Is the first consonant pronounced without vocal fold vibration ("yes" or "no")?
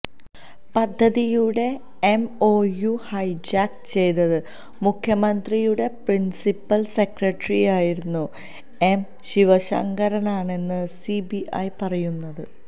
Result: yes